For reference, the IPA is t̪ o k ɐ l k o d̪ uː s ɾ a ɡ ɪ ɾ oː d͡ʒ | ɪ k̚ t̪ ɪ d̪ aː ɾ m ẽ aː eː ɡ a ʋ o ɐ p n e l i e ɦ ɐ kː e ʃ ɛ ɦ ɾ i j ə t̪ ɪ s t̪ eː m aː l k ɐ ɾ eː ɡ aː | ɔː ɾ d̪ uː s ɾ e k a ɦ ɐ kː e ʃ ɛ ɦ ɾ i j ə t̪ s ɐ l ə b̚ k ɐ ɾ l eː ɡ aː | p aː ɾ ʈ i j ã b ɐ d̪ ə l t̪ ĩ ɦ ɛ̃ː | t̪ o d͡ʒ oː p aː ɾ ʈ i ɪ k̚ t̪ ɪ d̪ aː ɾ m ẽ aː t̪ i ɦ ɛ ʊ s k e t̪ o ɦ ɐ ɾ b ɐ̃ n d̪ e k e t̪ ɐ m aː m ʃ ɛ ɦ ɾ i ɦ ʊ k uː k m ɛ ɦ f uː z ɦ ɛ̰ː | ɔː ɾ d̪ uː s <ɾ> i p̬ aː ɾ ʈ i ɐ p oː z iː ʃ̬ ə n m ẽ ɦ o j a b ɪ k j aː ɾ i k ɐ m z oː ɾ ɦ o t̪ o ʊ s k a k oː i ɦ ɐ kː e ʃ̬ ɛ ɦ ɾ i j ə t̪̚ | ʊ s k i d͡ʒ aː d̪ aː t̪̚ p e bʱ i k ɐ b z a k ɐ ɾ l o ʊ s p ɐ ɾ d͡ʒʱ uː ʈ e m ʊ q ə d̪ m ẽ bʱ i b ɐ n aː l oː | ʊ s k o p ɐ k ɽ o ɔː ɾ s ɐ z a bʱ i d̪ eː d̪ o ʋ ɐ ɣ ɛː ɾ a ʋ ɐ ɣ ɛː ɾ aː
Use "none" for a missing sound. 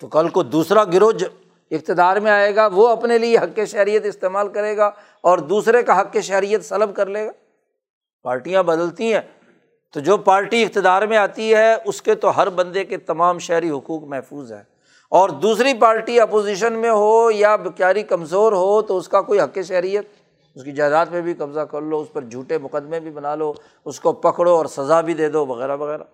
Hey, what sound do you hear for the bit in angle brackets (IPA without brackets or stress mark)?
ɾ